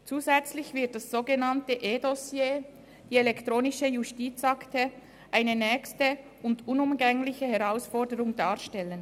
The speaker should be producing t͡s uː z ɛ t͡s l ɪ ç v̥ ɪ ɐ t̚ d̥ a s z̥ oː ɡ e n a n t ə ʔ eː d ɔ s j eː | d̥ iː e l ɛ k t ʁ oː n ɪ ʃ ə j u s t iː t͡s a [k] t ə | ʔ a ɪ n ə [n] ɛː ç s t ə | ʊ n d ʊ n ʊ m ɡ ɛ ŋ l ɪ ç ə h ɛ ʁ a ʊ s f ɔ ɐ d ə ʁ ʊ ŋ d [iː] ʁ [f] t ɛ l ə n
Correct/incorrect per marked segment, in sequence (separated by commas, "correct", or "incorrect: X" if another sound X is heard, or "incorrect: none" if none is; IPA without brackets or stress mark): correct, correct, incorrect: aː, incorrect: ʃ